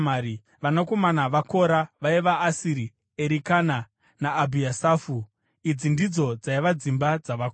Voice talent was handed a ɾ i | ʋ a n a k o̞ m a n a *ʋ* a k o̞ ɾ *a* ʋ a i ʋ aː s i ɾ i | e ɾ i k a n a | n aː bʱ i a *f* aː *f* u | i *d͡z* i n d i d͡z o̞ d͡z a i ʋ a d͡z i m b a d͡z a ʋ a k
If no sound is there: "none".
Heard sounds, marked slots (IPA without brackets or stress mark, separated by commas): ʋ, a, s, f, d͡z